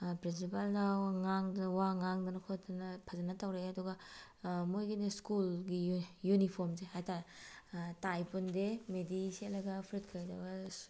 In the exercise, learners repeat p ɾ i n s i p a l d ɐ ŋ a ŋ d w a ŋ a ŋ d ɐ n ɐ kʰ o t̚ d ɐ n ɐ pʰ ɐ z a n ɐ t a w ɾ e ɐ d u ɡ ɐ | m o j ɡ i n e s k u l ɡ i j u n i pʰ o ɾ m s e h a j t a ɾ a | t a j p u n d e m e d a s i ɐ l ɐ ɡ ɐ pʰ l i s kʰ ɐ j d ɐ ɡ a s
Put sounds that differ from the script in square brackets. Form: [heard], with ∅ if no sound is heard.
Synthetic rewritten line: p ɾ i n s i p a l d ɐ ŋ a ŋ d w a ŋ a ŋ d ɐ n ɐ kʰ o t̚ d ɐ n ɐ pʰ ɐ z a n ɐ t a w ɾ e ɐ d u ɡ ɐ | m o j ɡ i n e s k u l ɡ i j u n i pʰ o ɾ m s e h a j t a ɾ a | t a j p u n d e m e d [i] s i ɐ l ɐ ɡ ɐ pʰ [ɾ] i [t] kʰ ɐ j d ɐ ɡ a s